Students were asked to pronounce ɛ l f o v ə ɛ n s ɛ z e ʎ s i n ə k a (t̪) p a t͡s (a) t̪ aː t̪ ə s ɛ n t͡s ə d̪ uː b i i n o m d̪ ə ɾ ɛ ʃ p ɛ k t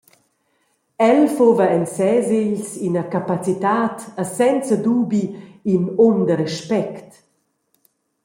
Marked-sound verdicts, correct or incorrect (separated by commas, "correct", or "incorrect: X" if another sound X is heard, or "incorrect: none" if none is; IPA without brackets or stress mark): incorrect: none, incorrect: i